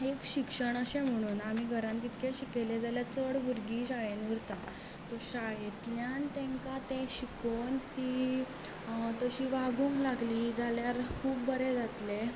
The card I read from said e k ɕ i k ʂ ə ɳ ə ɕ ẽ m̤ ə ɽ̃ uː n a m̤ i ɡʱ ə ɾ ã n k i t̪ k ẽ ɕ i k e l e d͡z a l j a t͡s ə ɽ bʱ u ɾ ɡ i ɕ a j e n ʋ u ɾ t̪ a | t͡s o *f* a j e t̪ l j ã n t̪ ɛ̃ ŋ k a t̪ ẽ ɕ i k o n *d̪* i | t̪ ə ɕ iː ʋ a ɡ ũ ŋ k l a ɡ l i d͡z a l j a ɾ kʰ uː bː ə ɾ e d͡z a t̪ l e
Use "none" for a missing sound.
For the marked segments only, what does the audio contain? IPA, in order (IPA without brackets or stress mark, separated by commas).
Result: ɕ, t̪